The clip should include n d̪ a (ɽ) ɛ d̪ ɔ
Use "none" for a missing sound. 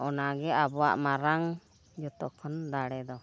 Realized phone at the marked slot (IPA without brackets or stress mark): ɽ